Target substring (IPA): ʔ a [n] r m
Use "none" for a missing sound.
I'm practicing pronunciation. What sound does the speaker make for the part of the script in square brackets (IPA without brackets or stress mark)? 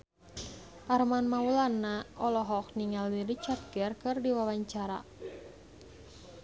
none